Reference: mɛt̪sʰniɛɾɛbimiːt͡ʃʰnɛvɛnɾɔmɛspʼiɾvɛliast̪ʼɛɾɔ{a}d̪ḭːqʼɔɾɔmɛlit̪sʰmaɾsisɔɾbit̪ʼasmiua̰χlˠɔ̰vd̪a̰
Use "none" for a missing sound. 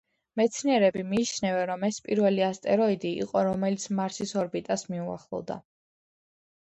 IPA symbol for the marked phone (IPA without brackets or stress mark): i